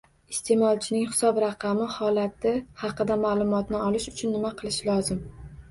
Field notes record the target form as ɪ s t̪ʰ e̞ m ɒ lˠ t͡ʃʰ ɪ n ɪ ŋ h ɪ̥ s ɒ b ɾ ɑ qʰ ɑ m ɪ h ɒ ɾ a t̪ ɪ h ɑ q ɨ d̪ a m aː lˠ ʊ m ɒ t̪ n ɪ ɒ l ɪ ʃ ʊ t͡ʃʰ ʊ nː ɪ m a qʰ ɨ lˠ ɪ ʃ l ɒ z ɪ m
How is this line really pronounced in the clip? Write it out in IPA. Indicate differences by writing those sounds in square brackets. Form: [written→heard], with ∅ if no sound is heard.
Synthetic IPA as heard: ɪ s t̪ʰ e̞ m ɒ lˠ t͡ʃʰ ɪ n ɪ ŋ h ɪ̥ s ɒ b ɾ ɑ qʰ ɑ m ɪ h ɒ [ɾ→l] a t̪ ɪ h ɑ q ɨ d̪ a m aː lˠ ʊ m ɒ t̪ n ɪ ɒ l ɪ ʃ ʊ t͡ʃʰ ʊ nː ɪ m a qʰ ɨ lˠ ɪ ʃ l ɒ z ɪ m